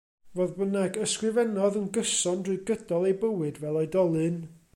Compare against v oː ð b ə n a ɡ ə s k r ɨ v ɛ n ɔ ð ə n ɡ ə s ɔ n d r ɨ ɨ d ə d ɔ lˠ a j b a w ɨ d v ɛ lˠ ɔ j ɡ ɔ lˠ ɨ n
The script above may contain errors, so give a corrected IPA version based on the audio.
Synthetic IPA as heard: v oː ð b ə n a ɡ ə s k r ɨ v ɛ n ɔ ð ə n ɡ ə s ɔ n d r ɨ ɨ ɡ ə d ɔ lˠ e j b ə w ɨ d v ɛ lˠ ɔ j d ɔ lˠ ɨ n